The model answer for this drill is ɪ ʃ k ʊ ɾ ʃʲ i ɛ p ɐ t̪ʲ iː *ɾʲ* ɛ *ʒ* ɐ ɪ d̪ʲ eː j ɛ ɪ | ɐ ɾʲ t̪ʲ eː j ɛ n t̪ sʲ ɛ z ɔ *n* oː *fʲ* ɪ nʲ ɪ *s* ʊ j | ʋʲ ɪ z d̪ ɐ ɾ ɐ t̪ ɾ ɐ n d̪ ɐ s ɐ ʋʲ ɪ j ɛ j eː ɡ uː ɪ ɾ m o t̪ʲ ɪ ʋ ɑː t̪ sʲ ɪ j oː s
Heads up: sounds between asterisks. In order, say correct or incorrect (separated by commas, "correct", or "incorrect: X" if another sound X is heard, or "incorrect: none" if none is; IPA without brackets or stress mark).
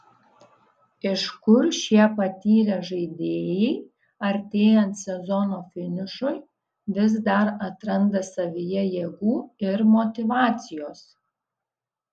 correct, correct, correct, correct, incorrect: ʃ